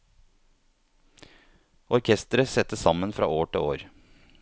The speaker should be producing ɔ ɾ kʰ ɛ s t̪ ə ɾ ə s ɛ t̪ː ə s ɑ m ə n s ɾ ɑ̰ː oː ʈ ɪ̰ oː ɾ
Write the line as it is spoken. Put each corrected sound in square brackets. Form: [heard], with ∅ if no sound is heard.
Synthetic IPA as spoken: ɔ ɾ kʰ ɛ s t̪ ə ɾ ə s ɛ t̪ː ə s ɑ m ə n [f] ɾ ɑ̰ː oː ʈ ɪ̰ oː ɾ